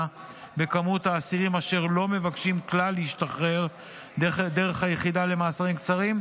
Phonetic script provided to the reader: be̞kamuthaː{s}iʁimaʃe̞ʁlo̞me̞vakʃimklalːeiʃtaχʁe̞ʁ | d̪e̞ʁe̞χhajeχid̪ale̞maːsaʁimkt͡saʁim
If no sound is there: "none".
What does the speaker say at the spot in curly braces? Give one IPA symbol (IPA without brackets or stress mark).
s